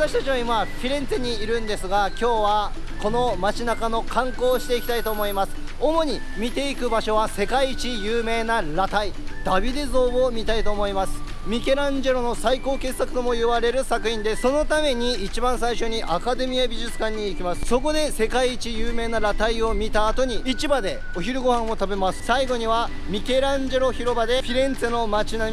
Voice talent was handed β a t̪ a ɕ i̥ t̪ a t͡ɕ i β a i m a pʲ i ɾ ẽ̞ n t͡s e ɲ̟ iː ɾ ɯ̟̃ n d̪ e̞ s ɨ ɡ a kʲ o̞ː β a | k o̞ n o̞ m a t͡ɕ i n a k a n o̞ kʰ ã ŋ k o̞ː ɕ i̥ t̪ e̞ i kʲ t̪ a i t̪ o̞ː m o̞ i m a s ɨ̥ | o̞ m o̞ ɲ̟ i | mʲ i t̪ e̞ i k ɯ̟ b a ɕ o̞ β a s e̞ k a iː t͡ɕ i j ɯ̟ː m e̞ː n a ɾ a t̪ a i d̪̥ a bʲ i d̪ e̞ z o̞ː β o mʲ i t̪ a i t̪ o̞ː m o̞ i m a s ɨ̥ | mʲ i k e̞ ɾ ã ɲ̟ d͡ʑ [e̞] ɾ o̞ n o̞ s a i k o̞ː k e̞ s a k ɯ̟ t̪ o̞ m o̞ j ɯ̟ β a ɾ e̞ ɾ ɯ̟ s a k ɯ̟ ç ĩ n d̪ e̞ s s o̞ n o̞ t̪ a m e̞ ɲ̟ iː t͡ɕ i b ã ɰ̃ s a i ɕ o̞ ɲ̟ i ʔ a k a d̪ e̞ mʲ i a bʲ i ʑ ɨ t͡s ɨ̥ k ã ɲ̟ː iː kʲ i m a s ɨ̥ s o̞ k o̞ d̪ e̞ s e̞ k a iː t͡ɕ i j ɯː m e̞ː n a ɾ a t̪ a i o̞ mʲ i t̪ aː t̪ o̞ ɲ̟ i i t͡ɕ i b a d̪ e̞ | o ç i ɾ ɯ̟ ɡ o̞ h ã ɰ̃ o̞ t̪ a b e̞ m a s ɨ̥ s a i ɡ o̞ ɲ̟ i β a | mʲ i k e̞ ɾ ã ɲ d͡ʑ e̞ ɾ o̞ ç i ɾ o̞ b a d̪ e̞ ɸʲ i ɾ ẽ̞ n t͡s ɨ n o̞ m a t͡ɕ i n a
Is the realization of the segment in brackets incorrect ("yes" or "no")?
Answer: no